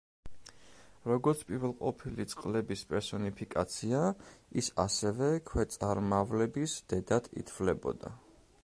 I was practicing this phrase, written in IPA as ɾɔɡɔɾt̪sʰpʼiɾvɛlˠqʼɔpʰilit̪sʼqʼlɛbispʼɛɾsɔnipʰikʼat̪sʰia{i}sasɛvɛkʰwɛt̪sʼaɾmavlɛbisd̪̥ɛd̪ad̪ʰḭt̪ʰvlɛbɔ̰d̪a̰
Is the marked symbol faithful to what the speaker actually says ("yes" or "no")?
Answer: yes